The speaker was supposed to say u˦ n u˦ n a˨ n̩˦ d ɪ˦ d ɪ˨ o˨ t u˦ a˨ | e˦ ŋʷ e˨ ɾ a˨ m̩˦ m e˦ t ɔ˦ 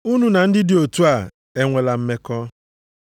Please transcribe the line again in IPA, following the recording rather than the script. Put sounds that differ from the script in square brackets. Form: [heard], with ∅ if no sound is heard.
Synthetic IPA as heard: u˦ n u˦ n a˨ n̩˦ d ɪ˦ d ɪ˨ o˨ t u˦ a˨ | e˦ ŋʷ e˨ [l] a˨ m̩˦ m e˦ [k] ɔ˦